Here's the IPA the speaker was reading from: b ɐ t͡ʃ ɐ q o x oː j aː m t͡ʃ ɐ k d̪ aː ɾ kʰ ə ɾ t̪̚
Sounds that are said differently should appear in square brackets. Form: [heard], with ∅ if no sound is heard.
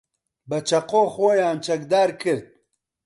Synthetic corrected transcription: b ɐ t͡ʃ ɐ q o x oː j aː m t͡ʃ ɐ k d̪ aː ɾ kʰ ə ɾ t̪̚

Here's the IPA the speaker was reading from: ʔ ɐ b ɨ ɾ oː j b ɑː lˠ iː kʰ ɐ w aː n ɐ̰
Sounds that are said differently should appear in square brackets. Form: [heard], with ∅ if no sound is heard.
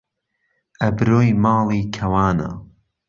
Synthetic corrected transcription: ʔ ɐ b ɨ ɾ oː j [m] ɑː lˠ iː kʰ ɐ w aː n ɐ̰

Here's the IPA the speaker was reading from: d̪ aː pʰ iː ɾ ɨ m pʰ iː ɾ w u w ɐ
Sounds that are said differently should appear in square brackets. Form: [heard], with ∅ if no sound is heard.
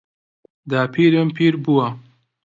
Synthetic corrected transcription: d̪ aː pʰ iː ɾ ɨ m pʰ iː ɾ [b] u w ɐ

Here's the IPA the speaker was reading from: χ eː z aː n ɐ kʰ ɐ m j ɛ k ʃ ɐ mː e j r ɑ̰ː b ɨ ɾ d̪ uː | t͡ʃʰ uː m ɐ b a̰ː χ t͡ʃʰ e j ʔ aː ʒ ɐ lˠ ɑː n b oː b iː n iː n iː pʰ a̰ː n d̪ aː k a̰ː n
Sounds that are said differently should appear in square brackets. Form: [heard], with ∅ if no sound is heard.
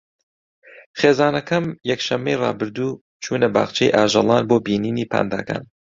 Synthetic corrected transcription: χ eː z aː n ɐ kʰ ɐ m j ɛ k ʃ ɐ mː e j r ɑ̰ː b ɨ ɾ d̪ uː | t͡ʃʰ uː [n] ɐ b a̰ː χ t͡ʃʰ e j ʔ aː ʒ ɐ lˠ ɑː n b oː b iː n iː n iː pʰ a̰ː n d̪ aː k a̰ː n

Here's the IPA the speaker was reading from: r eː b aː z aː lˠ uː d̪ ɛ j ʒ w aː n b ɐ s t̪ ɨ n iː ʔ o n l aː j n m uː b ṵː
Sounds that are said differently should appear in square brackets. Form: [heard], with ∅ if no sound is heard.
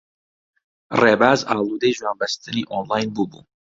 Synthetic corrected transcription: r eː b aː z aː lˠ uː d̪ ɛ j ʒ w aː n b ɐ s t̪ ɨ n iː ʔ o n l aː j n [b] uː b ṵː

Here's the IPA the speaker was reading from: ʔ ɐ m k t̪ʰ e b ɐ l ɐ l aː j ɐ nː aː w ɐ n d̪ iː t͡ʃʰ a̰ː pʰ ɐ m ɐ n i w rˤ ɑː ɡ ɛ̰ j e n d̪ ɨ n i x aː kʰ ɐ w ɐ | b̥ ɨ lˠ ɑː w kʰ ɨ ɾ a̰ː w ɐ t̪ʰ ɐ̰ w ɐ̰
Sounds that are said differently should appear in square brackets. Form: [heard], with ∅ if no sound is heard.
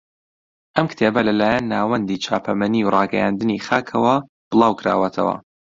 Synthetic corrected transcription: ʔ ɐ m k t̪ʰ e b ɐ l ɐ l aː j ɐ nː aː w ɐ n d̪ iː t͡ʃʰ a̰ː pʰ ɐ m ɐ n i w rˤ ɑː ɡ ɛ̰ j [a] n d̪ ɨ n i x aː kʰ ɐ w ɐ | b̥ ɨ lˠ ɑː w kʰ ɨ ɾ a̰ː w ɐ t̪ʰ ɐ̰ w ɐ̰

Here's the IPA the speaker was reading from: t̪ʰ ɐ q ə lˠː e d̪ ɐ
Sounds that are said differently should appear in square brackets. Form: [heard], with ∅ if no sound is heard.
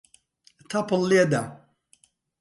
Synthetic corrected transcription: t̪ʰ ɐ [p] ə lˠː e d̪ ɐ

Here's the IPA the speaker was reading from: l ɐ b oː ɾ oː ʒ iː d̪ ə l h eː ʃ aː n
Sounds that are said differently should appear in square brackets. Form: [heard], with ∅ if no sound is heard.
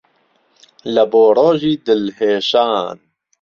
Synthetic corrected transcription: l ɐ b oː ɾ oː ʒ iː d̪ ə l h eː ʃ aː n

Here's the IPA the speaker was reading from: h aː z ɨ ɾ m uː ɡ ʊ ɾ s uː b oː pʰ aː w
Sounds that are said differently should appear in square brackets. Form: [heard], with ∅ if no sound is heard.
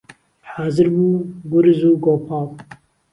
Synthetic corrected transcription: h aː z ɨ ɾ [b] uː ɡ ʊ ɾ [z] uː [ɡ] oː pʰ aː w

